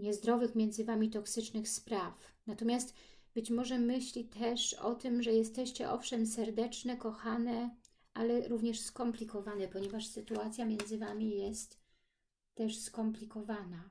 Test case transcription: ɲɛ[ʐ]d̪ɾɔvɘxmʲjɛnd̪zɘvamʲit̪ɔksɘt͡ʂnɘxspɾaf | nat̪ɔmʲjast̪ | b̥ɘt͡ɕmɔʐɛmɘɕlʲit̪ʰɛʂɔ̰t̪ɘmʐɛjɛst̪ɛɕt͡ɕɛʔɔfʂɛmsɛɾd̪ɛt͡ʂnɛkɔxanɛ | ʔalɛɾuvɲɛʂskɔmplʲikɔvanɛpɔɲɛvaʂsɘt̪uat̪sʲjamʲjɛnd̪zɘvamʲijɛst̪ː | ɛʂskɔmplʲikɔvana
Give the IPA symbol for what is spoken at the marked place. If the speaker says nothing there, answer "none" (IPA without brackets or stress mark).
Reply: z